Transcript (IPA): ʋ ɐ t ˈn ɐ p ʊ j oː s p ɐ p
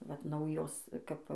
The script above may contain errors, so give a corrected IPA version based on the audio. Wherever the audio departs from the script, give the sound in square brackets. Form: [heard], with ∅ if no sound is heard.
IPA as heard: ʋ ɐ t ˈn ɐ [∅] ʊ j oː s [k] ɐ p